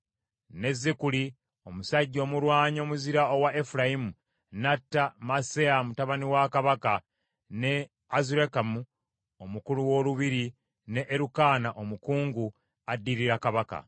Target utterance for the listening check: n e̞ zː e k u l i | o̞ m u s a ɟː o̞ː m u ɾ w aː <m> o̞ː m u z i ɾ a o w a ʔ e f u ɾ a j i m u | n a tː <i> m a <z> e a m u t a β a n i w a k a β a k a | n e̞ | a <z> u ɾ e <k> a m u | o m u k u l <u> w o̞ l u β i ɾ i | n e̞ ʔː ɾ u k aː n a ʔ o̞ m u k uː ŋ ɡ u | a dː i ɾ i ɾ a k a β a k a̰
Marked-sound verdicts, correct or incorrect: incorrect: ɲ, incorrect: a, incorrect: s, correct, correct, correct

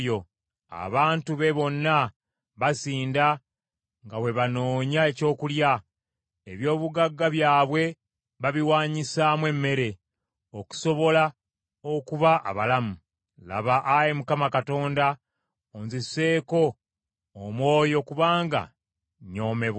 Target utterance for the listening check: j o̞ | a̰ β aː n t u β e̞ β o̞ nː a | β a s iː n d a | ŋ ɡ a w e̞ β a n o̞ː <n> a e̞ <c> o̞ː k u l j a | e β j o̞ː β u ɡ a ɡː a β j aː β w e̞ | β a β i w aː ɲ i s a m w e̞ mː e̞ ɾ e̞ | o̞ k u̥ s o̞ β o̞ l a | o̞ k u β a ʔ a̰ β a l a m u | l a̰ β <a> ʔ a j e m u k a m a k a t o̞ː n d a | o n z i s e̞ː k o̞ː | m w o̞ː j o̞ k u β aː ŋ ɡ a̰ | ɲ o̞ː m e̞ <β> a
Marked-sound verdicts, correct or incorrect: incorrect: ɲ, correct, correct, correct

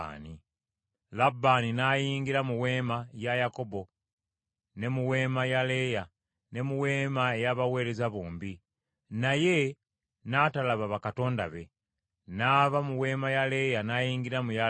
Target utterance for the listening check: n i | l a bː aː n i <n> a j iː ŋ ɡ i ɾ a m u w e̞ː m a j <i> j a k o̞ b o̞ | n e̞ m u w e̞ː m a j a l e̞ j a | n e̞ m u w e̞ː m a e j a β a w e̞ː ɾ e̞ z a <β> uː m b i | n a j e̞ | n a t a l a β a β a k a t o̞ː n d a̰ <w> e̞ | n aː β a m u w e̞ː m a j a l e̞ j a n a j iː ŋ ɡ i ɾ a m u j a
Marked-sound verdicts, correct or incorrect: correct, incorrect: a, correct, incorrect: β

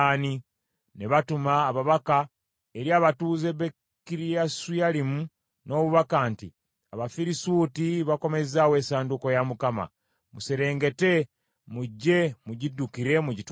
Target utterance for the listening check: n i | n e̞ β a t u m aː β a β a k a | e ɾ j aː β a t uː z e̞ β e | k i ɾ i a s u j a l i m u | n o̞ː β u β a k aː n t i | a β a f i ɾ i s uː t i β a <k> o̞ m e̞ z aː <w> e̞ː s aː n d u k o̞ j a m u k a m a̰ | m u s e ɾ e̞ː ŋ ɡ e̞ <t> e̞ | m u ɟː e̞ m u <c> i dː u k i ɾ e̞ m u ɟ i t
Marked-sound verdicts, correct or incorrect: correct, correct, correct, incorrect: ɟ

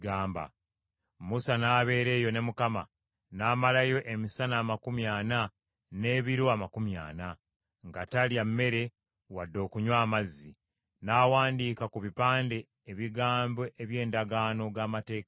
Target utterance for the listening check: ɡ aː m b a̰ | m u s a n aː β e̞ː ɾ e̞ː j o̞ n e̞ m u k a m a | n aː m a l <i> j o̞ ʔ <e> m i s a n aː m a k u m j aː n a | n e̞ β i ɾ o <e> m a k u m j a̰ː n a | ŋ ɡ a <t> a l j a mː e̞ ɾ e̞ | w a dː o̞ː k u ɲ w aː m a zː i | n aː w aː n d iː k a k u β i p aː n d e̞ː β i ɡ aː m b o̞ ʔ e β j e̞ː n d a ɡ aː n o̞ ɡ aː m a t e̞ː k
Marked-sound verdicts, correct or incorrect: incorrect: a, correct, incorrect: a, correct

